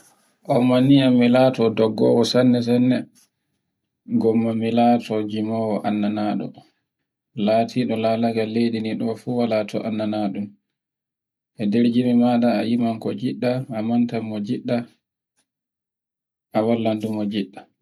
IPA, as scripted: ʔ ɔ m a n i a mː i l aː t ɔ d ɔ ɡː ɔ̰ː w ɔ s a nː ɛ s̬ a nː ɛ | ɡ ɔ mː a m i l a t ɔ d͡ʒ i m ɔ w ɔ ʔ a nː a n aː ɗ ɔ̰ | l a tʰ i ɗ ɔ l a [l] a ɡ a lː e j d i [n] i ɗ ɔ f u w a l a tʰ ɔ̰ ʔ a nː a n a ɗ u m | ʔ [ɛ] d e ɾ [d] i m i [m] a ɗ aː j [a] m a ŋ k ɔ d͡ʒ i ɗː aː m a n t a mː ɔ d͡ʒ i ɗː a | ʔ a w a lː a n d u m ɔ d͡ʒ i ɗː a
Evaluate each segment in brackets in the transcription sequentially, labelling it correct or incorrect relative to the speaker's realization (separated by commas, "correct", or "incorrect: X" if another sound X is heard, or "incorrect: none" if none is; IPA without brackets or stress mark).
correct, correct, correct, incorrect: d͡ʒ, correct, incorrect: i